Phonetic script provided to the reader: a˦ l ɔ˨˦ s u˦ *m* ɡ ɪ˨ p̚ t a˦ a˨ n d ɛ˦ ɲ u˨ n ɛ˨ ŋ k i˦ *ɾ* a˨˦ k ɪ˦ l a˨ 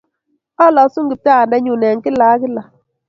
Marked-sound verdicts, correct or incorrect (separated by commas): incorrect, incorrect